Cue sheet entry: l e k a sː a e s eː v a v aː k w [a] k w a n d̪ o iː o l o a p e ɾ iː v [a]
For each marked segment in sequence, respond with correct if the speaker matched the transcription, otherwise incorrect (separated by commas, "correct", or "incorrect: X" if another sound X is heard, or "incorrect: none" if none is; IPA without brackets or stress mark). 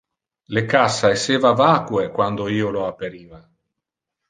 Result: incorrect: e, correct